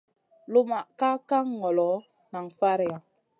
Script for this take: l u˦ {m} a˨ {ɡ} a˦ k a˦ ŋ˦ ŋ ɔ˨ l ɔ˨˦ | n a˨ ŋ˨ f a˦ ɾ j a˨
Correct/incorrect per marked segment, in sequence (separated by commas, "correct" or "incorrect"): correct, incorrect